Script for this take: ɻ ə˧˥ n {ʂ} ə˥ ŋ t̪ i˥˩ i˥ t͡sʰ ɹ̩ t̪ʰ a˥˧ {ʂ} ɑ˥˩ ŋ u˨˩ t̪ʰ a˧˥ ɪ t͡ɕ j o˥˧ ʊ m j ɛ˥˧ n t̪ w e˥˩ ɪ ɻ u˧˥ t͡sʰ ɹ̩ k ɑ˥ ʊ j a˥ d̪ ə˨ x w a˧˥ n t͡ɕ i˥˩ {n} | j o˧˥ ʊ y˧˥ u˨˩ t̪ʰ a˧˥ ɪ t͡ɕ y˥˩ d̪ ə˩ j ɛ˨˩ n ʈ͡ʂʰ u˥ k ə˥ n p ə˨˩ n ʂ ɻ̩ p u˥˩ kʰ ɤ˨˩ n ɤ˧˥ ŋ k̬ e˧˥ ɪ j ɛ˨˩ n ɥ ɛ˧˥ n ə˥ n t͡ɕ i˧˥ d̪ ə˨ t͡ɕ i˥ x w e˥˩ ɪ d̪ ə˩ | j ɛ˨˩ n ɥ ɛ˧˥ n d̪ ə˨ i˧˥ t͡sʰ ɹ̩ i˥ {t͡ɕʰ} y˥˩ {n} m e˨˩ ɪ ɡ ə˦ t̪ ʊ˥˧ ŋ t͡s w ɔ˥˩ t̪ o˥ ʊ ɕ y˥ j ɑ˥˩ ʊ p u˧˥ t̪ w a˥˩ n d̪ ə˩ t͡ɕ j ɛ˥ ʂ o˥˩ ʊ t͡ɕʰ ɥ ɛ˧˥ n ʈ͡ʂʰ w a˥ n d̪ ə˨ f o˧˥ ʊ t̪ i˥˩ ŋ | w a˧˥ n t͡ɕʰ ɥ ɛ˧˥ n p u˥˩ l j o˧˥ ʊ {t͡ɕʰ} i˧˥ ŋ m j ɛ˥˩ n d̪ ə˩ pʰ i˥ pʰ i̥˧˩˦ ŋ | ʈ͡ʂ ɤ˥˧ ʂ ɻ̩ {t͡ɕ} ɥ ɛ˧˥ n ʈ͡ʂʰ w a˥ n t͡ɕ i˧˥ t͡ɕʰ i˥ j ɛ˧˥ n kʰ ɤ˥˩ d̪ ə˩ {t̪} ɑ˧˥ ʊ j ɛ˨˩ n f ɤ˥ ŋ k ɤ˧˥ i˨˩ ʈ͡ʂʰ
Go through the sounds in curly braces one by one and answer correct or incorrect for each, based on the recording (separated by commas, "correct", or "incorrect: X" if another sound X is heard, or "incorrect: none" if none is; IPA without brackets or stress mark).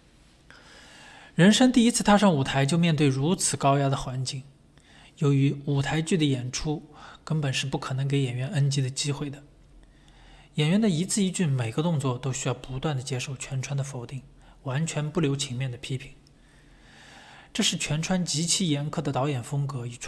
correct, correct, incorrect: ŋ, incorrect: t͡ɕ, correct, correct, incorrect: t͡ɕʰ, correct